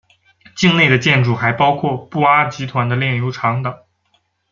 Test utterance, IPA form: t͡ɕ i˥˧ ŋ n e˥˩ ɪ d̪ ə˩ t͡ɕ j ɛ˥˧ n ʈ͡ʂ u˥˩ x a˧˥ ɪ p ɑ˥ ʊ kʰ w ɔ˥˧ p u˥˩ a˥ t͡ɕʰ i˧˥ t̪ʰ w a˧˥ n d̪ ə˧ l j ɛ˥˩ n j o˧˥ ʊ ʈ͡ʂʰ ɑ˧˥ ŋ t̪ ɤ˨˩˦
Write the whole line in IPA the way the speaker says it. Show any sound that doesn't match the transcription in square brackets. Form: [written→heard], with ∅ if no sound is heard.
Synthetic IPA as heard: t͡ɕ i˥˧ ŋ n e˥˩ ɪ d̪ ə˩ t͡ɕ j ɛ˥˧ n ʈ͡ʂ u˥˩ x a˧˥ ɪ p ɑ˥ ʊ kʰ w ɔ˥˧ p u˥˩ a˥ [t͡ɕʰ→t͡ɕ] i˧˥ t̪ʰ w a˧˥ n d̪ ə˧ l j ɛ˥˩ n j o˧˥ ʊ ʈ͡ʂʰ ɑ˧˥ ŋ t̪ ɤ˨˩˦